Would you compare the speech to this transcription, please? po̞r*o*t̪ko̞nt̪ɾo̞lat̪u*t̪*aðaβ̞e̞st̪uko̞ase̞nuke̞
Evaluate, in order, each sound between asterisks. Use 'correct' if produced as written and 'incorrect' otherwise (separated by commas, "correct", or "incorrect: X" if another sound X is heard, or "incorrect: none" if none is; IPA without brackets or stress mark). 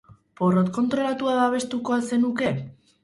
correct, incorrect: none